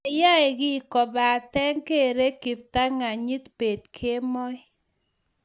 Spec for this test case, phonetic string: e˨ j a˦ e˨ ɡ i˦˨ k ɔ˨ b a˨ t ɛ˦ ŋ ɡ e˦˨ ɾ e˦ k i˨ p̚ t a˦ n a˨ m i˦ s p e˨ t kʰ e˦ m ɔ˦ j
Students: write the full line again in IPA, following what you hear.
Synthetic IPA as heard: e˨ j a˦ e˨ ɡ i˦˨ k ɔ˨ b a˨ t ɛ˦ ŋ k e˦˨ ɾ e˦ k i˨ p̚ t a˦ ŋ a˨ ɲ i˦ t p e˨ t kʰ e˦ m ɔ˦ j